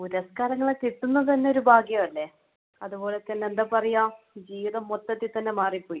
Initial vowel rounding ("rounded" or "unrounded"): rounded